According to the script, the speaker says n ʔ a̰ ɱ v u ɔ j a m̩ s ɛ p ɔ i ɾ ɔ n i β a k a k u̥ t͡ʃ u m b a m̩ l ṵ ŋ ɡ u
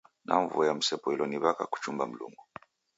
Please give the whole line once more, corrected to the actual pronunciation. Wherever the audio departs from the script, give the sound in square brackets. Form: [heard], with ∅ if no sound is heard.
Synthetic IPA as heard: n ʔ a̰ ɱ v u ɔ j a m̩ s ɛ p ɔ i [l] ɔ n i β a k a k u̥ t͡ʃ u m b a m̩ l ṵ ŋ ɡ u